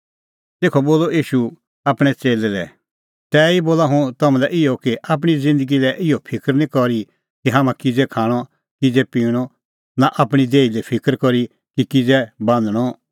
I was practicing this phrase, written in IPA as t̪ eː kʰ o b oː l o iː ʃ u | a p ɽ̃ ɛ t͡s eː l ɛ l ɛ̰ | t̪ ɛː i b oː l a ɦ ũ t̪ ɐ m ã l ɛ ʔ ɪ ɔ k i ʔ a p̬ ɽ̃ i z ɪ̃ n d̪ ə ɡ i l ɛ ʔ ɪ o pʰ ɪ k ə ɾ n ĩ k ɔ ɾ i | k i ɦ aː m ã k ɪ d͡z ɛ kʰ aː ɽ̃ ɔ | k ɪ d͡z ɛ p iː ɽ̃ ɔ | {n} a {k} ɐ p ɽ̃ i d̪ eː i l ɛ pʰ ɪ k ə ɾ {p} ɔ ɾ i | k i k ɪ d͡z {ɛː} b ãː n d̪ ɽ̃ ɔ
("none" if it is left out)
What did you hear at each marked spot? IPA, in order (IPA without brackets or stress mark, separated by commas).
n, ʔ, k, ɛ